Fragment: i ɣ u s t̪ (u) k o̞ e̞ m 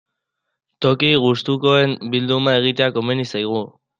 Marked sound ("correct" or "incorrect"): correct